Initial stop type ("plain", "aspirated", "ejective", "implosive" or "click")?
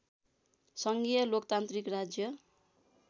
plain